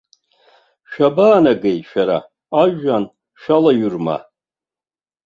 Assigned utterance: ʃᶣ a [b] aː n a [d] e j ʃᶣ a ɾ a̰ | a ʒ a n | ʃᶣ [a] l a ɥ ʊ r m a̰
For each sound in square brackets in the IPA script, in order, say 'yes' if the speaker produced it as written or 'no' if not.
yes, no, yes

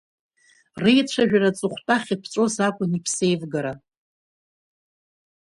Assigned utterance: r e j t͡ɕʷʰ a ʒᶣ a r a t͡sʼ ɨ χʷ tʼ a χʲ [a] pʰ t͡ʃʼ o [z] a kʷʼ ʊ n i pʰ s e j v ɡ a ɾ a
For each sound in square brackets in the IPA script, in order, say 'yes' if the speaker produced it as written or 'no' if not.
no, yes

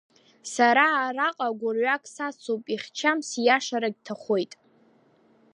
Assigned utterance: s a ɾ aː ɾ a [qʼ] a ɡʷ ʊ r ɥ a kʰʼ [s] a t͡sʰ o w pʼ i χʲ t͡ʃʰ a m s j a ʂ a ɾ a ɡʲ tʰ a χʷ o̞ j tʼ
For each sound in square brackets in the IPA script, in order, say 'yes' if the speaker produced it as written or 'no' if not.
yes, yes

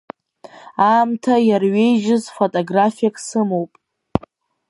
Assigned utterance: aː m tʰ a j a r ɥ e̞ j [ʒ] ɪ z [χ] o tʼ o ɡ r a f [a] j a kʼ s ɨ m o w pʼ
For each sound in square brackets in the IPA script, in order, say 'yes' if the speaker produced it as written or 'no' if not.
yes, no, no

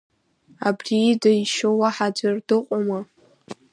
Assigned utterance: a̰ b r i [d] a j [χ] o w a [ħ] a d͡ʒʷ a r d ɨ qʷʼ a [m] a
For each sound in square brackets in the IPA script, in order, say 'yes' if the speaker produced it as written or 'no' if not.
yes, no, yes, yes

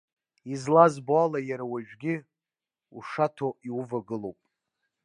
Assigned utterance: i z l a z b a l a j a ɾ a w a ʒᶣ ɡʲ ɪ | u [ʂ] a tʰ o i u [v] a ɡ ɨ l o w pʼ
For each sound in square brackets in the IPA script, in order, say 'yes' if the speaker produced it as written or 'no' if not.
yes, yes

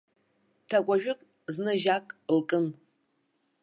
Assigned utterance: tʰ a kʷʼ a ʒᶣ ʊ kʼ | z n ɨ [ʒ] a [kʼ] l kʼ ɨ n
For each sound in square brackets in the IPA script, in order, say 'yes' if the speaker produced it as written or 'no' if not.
yes, yes

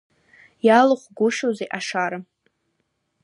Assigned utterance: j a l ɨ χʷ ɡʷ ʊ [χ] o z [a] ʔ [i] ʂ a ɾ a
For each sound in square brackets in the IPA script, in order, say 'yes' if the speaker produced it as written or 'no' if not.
no, no, no

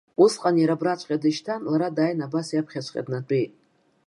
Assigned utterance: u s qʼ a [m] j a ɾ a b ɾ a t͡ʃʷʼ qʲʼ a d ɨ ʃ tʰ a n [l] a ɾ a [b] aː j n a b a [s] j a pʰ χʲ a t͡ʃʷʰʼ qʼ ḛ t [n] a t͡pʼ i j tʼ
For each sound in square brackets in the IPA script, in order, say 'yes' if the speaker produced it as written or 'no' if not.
no, yes, no, yes, yes

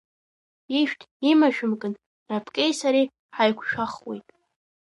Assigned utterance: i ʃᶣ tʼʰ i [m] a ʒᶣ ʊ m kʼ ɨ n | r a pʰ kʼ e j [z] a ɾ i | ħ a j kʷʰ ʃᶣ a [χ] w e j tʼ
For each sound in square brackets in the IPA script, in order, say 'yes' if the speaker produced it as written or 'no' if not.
yes, no, yes

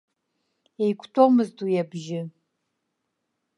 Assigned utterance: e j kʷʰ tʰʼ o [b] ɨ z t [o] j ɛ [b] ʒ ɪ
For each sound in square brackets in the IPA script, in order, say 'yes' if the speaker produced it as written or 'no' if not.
no, no, yes

